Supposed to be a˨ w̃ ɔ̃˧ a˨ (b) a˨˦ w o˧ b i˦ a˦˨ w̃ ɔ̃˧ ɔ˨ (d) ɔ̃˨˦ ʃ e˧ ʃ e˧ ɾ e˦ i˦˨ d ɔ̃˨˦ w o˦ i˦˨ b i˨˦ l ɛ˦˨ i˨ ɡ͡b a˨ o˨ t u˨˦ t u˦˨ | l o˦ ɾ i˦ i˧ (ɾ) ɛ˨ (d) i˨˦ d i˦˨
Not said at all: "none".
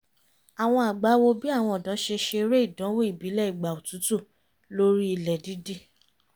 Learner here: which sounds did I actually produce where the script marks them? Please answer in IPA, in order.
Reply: ɡ͡b, d, l, d

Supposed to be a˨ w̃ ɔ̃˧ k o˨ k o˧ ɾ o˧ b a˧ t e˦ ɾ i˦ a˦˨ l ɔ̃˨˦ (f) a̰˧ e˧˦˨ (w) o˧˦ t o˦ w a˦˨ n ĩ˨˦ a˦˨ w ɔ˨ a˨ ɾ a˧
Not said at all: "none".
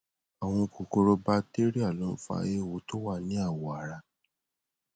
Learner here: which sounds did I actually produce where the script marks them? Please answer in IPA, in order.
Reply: f, w

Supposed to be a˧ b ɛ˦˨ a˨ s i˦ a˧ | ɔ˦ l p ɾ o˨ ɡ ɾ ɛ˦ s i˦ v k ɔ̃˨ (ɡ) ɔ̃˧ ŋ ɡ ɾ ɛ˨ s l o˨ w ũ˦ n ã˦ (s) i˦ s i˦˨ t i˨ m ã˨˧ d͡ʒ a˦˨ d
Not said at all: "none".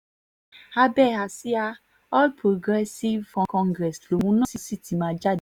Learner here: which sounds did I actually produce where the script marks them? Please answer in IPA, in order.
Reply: k, s

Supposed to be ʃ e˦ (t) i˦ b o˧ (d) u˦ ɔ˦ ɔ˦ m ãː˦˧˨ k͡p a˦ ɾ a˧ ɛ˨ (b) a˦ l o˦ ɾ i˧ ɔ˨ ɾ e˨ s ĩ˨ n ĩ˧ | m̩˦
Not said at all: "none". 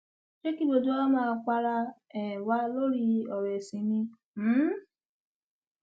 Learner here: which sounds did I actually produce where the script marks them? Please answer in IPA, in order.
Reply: k, d, w

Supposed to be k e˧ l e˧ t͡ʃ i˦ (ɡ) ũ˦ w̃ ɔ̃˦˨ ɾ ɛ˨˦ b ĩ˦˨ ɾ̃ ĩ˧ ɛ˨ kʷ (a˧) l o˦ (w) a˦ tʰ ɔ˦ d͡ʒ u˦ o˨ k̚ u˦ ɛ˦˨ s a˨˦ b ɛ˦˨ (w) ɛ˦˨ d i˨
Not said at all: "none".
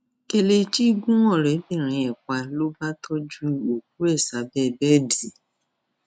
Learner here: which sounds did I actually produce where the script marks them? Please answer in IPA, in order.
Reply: ɡ, a˧, b, b

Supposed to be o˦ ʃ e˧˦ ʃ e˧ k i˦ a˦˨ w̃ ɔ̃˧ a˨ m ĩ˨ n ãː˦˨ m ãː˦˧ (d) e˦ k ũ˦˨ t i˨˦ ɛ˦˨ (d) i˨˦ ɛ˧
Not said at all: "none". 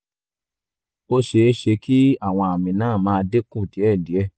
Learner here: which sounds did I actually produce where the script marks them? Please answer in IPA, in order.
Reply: d, d

